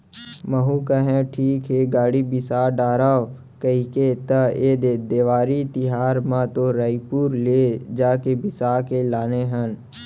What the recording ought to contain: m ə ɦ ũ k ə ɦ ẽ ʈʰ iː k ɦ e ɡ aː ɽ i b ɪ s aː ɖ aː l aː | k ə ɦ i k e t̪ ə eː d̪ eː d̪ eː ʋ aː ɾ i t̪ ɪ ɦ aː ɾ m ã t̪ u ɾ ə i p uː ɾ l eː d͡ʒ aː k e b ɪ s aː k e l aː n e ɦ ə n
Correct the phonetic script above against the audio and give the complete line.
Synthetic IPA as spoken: m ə ɦ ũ k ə ɦ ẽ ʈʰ iː k ɦ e ɡ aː ɽ i b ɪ s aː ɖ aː ɾ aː | k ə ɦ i k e t̪ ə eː d̪ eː d̪ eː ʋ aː ɾ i t̪ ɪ ɦ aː ɾ m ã t̪ o ɾ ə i p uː ɾ l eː d͡ʒ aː k e b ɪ s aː k e l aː n e ɦ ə n